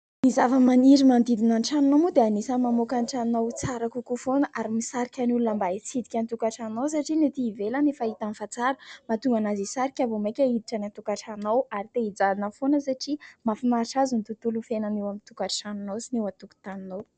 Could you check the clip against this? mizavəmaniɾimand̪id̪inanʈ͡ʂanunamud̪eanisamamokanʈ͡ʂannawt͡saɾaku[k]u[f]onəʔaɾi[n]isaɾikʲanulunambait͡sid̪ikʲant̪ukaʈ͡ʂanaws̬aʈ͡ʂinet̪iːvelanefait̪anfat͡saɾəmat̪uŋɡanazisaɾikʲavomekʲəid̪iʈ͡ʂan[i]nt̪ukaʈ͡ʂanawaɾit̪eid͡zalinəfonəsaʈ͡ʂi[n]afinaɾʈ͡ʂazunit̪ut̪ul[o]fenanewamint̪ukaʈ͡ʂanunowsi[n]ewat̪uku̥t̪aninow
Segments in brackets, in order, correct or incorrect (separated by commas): correct, correct, incorrect, incorrect, incorrect, incorrect, correct